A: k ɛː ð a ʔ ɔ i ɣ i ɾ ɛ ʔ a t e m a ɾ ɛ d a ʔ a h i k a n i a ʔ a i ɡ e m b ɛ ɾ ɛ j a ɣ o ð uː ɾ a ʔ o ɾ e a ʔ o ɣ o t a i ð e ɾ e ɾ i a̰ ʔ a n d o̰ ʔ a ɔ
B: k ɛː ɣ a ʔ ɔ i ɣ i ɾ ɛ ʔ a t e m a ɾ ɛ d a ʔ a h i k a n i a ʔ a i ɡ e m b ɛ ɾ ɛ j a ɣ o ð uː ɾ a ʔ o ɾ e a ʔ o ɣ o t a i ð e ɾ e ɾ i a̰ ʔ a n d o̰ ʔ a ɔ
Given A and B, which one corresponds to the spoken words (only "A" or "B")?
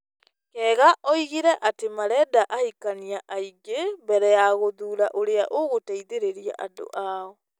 B